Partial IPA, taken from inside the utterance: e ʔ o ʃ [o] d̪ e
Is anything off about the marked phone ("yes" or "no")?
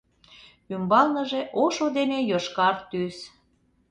no